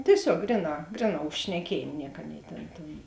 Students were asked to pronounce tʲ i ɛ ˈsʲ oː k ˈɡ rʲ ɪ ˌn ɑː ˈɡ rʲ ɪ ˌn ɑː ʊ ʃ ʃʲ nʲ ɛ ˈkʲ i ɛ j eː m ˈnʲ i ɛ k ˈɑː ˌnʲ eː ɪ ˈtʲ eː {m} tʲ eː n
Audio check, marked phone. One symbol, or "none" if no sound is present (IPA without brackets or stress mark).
n